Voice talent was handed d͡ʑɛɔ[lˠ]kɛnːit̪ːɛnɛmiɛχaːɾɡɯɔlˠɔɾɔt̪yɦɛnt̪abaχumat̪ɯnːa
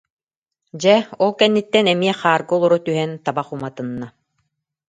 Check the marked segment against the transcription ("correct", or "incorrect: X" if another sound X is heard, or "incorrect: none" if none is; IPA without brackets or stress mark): correct